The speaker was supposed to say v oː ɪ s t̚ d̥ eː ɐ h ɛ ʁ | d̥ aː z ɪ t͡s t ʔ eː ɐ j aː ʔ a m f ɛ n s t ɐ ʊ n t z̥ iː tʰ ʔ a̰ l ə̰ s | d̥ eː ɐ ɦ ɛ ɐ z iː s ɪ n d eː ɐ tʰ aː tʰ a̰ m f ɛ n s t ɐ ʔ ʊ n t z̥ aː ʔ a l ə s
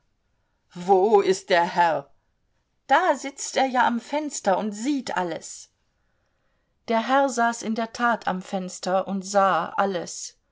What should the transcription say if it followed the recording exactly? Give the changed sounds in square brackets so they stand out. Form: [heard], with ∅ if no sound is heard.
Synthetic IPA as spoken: v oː ɪ s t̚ d̥ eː ɐ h ɛ ʁ | d̥ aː z ɪ t͡s t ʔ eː ɐ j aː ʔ a m f ɛ n s t ɐ ʊ n t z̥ iː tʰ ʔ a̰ l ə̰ s | d̥ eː ɐ ɦ ɛ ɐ z [aː] s ɪ n d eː ɐ tʰ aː tʰ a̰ m f ɛ n s t ɐ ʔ ʊ n t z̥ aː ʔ a l ə s

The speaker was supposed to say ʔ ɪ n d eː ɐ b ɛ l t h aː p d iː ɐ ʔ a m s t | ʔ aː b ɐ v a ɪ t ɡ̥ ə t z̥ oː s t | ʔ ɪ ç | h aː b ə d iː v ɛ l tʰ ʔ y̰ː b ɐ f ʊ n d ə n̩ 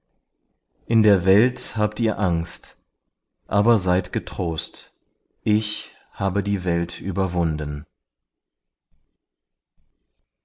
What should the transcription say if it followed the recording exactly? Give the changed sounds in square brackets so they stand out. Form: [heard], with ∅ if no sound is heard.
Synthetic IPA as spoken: ʔ ɪ n d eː ɐ [v] ɛ l t h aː p [t] iː ɐ ʔ a [ŋ] s t | ʔ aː b ɐ [z] a ɪ t ɡ̥ ə t [ʁ̥] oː s t | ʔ ɪ ç | h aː b ə d iː v ɛ l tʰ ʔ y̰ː b ɐ [v] ʊ n d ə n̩

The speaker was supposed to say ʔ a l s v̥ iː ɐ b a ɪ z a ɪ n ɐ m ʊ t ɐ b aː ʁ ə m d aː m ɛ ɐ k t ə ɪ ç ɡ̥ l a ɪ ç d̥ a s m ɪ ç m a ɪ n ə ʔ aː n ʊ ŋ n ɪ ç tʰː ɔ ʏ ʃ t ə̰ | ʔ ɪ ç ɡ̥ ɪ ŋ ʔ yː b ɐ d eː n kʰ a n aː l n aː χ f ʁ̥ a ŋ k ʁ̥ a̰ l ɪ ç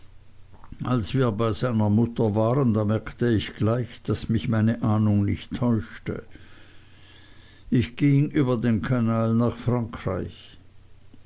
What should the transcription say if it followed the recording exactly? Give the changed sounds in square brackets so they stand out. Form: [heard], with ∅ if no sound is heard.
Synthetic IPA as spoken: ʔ a l s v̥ iː ɐ b a ɪ z a ɪ n ɐ m ʊ t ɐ [v] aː ʁ ə [n] d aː m ɛ ɐ k t ə ɪ ç ɡ̥ l a ɪ ç d̥ a s m ɪ ç m a ɪ n ə ʔ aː n ʊ ŋ n ɪ ç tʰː ɔ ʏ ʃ t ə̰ | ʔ ɪ ç ɡ̥ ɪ ŋ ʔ yː b ɐ d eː n kʰ a n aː l n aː χ f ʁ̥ a ŋ k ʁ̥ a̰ [∅] ɪ ç

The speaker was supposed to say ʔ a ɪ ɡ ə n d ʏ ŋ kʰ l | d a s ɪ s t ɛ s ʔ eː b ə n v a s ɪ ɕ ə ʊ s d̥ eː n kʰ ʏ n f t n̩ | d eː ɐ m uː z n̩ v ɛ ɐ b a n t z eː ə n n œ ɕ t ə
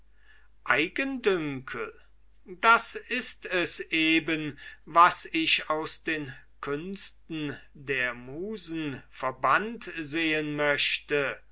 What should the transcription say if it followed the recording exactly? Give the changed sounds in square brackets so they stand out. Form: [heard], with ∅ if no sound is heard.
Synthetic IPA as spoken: ʔ a ɪ ɡ ə n d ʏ ŋ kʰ l | d a s ɪ s t ɛ s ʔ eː b ə n v a s ɪ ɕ [a] ʊ s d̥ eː n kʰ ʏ n [s] t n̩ | d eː ɐ m uː z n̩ [f] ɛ ɐ b a n t z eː ə n [m] œ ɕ t ə

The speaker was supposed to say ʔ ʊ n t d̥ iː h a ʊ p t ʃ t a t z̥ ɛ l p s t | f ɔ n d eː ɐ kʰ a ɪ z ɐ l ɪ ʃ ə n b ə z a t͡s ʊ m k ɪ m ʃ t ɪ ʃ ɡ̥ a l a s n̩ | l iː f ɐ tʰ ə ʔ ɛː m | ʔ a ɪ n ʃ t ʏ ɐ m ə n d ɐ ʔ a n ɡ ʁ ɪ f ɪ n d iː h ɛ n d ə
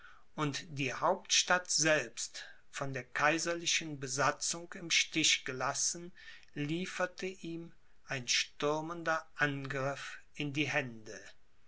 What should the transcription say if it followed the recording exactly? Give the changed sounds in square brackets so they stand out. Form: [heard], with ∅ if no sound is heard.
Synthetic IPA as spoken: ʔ ʊ n t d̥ iː h a ʊ p t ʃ t a t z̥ ɛ l p s t | f ɔ n d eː ɐ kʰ a ɪ z ɐ l ɪ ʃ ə n b ə z a t͡s ʊ [ŋ] k ɪ m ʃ t ɪ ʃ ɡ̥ [ə] l a s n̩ | l iː f ɐ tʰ ə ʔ [iː] m | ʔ a ɪ n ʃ t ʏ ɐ m ə n d ɐ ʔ a n ɡ ʁ ɪ f ɪ n d iː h ɛ n d ə

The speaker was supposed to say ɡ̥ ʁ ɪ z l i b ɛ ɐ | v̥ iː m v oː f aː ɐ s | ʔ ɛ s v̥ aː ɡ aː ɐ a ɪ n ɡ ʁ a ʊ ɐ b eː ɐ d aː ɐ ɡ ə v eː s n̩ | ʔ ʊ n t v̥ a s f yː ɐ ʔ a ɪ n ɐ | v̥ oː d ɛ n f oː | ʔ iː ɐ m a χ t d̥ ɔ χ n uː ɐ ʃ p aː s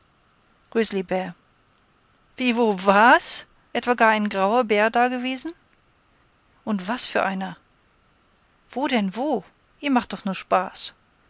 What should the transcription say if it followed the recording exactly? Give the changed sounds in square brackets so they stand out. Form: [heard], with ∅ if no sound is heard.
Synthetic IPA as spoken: ɡ̥ ʁ ɪ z l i b ɛ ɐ | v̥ iː [∅] v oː [v] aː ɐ s | ʔ ɛ [t] v̥ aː ɡ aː ɐ a ɪ n ɡ ʁ a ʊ ɐ b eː ɐ d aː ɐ ɡ ə v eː [z] n̩ | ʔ ʊ n t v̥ a s f yː ɐ ʔ a ɪ n ɐ | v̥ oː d ɛ n [v] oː | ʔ iː ɐ m a χ t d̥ ɔ χ n uː ɐ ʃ p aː s

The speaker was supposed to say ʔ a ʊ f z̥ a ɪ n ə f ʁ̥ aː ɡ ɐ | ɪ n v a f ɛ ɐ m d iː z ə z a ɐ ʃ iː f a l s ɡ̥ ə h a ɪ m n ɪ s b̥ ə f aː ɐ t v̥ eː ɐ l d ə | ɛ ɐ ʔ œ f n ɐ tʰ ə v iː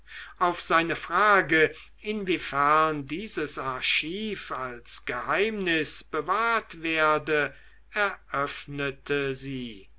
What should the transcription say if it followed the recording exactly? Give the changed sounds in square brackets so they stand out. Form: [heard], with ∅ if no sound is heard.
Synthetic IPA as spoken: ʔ a ʊ f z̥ a ɪ n ə f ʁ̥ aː ɡ [ə] | ɪ n v [i] f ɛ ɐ [n] d iː z ə [s] a ɐ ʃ iː f a l s ɡ̥ ə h a ɪ m n ɪ s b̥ ə [v] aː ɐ t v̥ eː ɐ [∅] d ə | ɛ ɐ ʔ œ f n [ə] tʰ ə [z] iː

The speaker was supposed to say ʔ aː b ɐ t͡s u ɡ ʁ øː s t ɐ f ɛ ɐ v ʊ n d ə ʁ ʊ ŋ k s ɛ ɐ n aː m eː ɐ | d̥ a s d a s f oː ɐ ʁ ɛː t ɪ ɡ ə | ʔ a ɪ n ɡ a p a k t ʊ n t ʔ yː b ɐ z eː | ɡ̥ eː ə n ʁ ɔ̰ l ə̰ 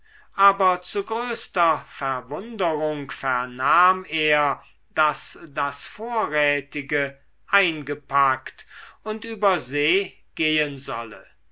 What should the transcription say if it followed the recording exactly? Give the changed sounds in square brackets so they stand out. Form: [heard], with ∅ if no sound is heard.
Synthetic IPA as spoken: ʔ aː b ɐ t͡s u ɡ ʁ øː s t ɐ f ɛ ɐ v ʊ n d ə ʁ ʊ ŋ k [f] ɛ ɐ n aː m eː ɐ | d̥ a s d a s f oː ɐ ʁ ɛː t ɪ ɡ ə | ʔ a ɪ n ɡ [ə] p a k t ʊ n t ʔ yː b ɐ z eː | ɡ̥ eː ə n [z] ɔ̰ l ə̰

